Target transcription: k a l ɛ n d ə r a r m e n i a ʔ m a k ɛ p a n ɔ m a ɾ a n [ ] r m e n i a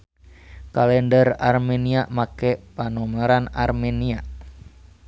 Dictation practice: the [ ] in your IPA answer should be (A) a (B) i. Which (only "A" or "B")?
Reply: A